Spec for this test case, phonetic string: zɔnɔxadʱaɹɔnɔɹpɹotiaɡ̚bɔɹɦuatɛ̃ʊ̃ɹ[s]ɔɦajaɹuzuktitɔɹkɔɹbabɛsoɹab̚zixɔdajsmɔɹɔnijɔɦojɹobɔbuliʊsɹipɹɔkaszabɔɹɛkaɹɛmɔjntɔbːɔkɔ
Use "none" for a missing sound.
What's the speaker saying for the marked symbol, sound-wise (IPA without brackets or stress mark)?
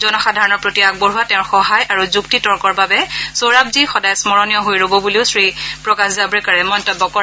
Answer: x